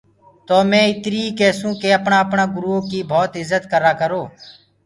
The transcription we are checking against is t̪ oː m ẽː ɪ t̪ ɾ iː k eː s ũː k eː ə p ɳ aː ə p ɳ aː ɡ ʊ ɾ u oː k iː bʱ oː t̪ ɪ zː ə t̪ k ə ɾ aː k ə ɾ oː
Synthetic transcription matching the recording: t̪ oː m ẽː ɪ t̪ ɾ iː k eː s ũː k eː ə p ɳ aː ə p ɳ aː ɡ ʊ ɾ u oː k iː bʱ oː t̪ ɪ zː ə t̪ k ə ɾ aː k ə ɾ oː